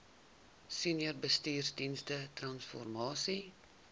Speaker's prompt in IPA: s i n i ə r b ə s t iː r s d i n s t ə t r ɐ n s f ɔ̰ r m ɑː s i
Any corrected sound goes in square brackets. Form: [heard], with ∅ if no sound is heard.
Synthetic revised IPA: s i n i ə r b ə s t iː r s d i n s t ə t r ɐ n s f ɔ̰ r m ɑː s i

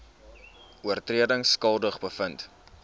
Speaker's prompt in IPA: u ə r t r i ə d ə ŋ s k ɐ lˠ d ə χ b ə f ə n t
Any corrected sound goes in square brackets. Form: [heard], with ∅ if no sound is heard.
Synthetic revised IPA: u ə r t r i ə d ə ŋ s k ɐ lˠ d ə χ b ə f ə n t

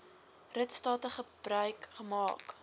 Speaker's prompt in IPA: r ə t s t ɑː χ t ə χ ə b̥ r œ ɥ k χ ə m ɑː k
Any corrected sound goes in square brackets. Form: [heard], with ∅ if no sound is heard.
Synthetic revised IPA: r ə t s t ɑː [∅] t ə χ ə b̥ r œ ɥ k χ ə m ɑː k

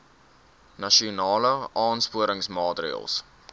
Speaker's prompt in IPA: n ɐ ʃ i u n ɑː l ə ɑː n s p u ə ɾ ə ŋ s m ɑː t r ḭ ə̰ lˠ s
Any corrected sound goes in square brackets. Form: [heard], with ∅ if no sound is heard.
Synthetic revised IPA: n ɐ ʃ i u n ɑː l ə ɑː n s p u ə ɾ ə ŋ s m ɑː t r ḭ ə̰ lˠ s

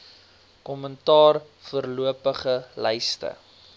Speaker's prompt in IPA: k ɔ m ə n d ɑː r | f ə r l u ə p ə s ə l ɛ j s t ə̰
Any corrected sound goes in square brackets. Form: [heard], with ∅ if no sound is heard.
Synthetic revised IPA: k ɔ m ə n [t] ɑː r | f ə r l u ə p ə [χ] ə l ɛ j s t ə̰

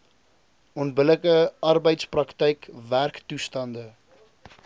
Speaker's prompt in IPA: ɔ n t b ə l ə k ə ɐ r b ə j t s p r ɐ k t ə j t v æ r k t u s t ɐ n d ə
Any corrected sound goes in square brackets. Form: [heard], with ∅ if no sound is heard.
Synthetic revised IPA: ɔ n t b ə l ə k ə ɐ r b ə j t s p r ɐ k t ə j [k] v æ r k t u s t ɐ n d ə

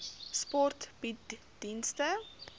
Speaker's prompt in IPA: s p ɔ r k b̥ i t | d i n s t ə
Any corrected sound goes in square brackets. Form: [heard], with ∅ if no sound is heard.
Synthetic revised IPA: s p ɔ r [t] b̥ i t | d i n s t ə

